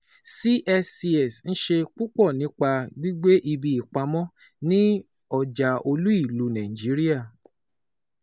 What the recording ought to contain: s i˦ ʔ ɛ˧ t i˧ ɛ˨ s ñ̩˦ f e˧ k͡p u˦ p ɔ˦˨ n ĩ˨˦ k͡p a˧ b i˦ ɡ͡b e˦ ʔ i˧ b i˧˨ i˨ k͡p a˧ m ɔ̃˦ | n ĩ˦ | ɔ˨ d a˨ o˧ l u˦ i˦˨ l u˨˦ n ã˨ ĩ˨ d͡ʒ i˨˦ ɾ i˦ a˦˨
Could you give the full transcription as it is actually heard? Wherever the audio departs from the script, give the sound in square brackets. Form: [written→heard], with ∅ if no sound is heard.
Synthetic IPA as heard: s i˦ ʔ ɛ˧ [t→s] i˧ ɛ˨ s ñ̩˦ [f→ʃ] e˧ k͡p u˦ [p→k͡p] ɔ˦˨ n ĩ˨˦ k͡p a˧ [b→ɡ͡b] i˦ ɡ͡b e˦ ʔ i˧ b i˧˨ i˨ k͡p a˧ m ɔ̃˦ | n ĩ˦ | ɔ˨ [d→d͡ʒ] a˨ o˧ l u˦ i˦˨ l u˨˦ n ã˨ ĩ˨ d͡ʒ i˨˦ ɾ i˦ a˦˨